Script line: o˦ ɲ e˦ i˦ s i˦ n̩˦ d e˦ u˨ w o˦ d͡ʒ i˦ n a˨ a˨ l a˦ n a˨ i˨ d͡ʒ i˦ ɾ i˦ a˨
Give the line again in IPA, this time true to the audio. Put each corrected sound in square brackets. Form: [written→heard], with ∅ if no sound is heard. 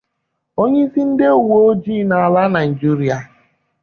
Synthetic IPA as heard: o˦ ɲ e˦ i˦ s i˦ n̩˦ d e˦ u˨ w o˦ d͡ʒ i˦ n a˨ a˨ l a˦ n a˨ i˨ d͡ʒ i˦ ɾ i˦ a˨